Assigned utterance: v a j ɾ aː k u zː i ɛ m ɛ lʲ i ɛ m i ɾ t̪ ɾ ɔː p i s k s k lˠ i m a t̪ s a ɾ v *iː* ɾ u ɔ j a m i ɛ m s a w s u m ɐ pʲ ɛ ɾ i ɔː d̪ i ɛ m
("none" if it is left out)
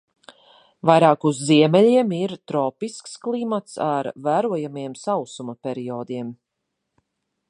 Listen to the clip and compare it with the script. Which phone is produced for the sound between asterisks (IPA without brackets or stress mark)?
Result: æː